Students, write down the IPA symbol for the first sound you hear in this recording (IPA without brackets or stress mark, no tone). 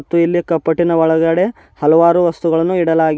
t̪ː